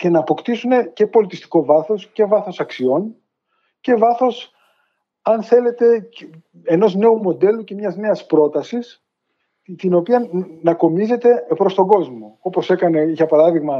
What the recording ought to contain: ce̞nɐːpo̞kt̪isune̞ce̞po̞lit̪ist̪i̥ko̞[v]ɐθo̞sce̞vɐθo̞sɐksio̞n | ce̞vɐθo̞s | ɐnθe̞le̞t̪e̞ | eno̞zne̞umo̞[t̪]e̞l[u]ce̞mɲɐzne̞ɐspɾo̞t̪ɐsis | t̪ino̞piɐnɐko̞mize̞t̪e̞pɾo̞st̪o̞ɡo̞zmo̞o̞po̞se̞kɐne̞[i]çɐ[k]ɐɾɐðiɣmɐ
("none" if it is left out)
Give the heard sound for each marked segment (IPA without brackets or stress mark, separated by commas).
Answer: v, d̪, u, i, p